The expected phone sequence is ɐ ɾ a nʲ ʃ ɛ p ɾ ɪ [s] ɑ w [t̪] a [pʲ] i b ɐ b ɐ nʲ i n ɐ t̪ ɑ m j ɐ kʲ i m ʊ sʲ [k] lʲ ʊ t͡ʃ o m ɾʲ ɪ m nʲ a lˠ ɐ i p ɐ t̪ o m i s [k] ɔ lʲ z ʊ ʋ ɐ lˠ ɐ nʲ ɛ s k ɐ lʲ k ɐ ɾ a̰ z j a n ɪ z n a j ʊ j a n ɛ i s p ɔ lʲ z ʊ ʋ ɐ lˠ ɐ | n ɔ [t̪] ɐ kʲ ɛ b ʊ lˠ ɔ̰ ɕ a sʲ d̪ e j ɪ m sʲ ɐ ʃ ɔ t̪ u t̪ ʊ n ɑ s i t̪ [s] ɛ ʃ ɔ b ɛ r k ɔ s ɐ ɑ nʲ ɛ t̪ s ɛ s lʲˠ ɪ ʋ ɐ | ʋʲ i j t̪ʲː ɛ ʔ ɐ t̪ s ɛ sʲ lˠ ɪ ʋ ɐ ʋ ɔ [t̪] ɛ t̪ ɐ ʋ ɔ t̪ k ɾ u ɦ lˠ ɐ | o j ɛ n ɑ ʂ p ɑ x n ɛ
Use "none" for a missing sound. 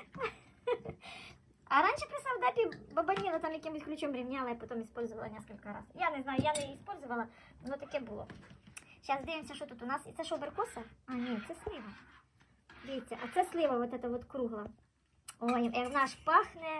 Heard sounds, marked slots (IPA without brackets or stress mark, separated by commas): s, d̪, pʲ, k, p, t̪, s, t̪